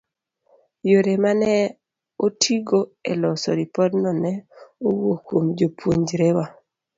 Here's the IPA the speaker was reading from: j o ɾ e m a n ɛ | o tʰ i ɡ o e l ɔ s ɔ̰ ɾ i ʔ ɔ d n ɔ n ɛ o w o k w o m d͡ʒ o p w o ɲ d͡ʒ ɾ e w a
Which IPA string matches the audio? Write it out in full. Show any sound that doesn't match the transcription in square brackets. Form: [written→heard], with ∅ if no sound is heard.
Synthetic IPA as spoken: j o ɾ e m a n ɛ | o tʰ i ɡ o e l ɔ s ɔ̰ ɾ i [ʔ→p] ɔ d n ɔ n ɛ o w o k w o m d͡ʒ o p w o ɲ d͡ʒ ɾ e w a